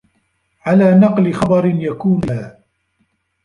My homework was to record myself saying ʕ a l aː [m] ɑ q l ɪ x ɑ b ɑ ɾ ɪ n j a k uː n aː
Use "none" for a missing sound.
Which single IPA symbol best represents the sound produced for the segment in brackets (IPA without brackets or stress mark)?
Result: n